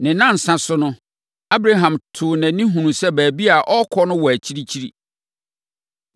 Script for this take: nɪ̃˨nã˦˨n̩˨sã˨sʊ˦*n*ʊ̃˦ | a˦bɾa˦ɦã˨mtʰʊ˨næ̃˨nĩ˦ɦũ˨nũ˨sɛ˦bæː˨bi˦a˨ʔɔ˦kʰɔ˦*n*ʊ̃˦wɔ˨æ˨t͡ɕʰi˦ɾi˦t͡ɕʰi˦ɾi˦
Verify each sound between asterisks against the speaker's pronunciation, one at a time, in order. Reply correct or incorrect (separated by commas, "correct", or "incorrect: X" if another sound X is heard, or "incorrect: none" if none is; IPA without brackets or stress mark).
correct, correct